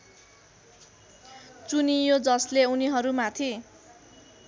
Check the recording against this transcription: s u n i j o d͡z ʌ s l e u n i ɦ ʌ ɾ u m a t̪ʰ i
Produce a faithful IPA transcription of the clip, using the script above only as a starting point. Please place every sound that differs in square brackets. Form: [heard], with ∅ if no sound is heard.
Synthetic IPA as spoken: [t͡s] u n i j o d͡z ʌ s l e u n i ɦ ʌ ɾ u m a t̪ʰ i